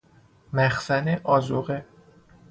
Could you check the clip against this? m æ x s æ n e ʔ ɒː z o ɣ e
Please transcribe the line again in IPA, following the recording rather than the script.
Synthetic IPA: m æ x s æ n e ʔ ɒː z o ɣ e